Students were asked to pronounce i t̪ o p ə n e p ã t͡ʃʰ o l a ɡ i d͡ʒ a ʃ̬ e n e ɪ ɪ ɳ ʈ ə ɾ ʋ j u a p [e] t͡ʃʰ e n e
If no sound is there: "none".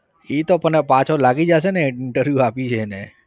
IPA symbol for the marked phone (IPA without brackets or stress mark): i